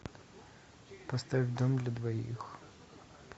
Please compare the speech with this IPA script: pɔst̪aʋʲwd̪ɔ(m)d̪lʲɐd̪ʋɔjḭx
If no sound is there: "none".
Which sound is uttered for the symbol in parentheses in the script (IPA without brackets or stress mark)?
m